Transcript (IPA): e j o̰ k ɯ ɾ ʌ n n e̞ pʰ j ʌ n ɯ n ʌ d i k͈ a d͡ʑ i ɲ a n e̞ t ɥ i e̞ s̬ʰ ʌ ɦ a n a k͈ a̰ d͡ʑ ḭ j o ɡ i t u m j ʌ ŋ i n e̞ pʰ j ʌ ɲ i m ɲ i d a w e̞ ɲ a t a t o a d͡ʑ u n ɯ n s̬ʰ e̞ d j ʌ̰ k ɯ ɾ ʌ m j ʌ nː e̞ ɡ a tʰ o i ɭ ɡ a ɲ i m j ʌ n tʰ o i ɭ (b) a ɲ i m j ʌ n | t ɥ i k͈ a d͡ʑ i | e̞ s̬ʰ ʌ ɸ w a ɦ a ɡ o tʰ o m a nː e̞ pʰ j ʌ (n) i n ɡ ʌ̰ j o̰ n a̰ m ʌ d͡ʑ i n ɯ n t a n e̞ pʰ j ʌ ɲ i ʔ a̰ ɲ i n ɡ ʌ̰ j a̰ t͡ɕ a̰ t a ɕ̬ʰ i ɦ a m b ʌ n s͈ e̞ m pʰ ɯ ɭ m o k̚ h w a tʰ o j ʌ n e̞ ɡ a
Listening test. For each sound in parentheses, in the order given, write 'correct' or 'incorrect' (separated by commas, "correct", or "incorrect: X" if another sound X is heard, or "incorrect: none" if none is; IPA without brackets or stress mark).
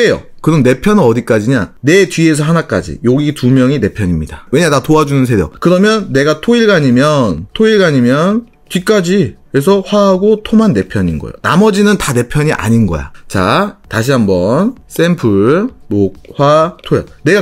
incorrect: ɡ, incorrect: ɲ